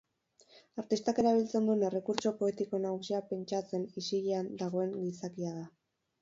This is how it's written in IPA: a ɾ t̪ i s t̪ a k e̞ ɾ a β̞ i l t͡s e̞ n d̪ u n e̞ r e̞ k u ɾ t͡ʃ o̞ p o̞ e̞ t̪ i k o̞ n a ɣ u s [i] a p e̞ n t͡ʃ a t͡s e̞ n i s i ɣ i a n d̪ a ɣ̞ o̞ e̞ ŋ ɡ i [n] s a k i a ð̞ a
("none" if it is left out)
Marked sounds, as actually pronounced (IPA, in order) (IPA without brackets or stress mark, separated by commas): i, none